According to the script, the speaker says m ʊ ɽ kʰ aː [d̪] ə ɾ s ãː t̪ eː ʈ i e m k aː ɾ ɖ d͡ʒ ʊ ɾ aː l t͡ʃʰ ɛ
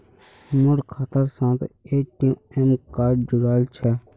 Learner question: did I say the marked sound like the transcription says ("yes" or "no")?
no